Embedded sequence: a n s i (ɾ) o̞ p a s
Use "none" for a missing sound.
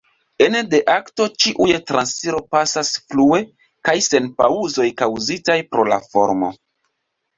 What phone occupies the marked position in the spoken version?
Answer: ɾ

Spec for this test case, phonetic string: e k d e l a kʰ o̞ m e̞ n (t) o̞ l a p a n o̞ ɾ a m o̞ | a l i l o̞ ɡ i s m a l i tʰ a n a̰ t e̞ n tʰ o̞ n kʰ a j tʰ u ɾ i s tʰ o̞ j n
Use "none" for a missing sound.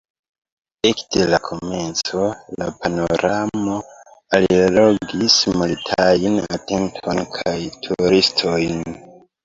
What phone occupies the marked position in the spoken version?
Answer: t͡s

